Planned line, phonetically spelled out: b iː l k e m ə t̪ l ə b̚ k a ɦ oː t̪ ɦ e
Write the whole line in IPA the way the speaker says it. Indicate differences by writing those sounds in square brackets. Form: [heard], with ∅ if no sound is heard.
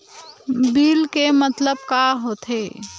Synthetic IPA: b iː l k e m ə t̪ l ə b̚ k a ɦ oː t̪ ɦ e